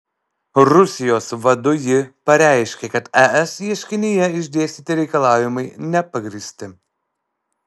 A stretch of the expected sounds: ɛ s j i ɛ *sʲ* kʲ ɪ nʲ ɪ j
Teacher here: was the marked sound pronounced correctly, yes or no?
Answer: no